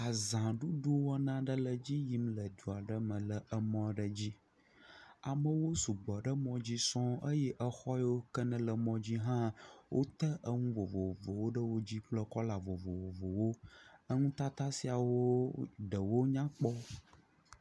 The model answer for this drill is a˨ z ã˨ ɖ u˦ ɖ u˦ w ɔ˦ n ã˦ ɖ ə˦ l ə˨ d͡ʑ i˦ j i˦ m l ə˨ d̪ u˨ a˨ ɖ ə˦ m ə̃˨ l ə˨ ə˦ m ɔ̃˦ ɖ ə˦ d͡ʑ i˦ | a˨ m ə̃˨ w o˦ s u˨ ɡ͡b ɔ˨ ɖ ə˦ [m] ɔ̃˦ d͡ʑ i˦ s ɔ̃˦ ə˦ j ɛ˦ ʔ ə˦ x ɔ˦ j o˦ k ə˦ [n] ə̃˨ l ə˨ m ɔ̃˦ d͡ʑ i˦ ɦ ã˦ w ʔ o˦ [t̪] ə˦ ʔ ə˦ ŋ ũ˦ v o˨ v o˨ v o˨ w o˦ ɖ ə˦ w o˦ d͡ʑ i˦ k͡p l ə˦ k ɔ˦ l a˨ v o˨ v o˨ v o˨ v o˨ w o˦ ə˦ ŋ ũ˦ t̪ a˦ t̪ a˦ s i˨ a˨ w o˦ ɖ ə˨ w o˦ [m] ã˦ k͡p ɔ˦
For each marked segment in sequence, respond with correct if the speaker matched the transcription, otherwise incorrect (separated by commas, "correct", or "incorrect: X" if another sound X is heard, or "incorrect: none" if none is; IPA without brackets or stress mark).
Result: correct, correct, correct, incorrect: ɲ